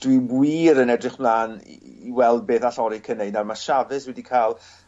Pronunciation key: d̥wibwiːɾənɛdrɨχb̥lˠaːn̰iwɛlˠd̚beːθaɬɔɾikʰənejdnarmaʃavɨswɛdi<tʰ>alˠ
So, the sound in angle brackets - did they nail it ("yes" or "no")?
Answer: no